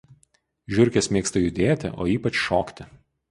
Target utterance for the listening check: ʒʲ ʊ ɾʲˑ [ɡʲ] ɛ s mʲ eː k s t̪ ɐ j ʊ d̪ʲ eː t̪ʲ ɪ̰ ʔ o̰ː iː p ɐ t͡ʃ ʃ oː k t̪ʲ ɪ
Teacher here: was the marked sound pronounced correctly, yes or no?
no